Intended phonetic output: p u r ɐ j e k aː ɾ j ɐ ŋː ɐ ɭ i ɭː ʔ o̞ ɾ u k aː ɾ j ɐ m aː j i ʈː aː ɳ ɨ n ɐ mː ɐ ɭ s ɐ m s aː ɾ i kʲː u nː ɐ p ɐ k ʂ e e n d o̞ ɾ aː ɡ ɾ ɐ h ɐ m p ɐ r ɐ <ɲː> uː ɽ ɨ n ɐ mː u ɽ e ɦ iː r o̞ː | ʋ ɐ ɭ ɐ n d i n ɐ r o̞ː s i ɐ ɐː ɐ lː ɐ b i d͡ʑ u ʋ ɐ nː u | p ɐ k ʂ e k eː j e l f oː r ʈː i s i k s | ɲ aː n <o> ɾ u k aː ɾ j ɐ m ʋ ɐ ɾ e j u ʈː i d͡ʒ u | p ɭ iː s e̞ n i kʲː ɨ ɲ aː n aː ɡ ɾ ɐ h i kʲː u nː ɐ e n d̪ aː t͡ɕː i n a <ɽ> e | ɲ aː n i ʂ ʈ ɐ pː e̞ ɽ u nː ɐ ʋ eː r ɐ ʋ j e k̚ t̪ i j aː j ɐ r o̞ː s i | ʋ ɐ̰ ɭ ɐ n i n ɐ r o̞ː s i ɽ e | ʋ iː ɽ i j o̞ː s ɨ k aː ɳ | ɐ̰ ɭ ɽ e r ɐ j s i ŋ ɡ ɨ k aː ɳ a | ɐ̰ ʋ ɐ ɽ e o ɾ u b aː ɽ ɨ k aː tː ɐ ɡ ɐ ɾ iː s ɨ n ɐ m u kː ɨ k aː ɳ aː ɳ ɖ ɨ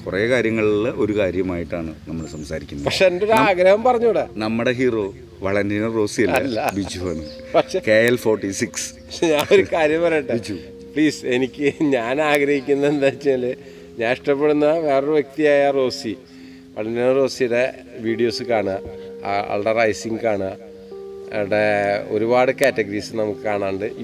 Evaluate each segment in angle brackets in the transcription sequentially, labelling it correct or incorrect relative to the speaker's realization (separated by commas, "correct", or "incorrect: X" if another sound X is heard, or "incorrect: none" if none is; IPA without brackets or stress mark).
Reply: correct, correct, incorrect: l